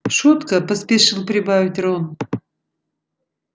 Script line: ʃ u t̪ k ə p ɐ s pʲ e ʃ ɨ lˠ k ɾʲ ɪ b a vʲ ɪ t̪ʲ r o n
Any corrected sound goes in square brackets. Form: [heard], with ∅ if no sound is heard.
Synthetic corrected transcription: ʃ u t̪ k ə p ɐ s pʲ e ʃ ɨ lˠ [p] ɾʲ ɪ b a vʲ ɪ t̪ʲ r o n